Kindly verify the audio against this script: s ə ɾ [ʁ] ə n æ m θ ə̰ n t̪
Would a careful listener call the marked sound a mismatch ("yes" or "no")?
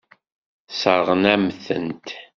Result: no